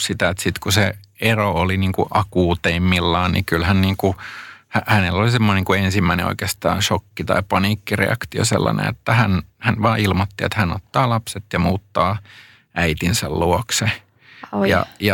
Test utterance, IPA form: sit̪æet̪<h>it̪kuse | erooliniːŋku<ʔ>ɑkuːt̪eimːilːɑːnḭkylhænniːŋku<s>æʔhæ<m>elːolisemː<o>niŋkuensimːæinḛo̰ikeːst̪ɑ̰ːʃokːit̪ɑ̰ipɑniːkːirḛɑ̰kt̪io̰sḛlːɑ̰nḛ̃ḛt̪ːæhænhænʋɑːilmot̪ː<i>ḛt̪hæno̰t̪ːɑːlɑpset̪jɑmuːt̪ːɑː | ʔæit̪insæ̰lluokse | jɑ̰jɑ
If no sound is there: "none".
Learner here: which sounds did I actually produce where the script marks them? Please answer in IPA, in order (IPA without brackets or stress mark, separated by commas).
s, ʔ, h, n, o, i